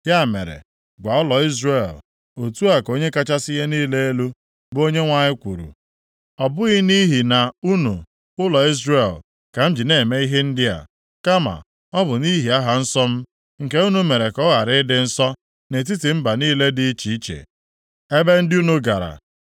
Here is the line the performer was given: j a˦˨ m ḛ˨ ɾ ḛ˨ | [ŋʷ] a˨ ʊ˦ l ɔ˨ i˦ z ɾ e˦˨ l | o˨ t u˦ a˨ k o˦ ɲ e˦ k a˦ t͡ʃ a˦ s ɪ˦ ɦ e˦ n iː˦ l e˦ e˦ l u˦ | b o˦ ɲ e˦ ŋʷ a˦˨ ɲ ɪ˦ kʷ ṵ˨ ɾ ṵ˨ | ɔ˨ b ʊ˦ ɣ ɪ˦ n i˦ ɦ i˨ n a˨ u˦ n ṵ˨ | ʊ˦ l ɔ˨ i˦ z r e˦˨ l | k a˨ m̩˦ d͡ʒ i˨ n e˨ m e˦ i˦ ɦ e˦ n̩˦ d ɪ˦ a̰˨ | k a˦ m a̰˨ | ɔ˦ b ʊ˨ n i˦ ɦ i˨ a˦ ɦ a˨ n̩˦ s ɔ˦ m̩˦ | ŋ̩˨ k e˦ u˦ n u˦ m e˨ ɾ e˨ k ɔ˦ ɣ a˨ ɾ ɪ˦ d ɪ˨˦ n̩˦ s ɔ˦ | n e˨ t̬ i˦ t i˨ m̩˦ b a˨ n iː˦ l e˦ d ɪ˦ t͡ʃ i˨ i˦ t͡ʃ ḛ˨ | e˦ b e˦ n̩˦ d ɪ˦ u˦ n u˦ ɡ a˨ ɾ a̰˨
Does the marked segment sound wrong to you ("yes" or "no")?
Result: yes